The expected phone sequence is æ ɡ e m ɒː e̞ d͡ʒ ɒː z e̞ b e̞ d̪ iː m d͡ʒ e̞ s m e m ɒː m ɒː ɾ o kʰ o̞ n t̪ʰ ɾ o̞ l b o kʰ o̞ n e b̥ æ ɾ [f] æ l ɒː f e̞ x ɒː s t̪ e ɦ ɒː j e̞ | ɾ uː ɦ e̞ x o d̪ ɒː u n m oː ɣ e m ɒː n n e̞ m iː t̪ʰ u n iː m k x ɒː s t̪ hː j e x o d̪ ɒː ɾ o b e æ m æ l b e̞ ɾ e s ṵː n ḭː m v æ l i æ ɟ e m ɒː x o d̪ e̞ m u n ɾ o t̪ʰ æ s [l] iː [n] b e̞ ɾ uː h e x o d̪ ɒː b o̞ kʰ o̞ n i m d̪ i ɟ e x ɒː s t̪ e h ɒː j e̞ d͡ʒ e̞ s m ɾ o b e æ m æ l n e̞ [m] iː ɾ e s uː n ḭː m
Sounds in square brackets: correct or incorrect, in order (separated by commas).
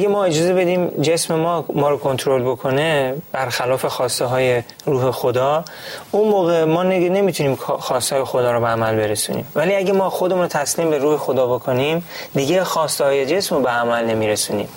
incorrect, correct, incorrect, correct